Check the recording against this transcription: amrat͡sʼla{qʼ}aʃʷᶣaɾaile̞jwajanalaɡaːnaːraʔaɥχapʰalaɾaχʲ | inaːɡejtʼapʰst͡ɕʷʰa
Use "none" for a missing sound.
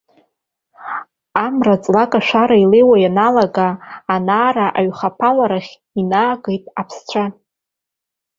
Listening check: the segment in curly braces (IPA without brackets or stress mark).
kʼ